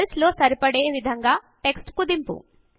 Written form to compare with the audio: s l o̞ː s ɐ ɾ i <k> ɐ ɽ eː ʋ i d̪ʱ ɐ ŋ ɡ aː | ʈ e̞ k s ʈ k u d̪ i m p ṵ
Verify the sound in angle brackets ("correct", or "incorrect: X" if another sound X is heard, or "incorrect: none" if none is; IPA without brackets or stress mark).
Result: incorrect: p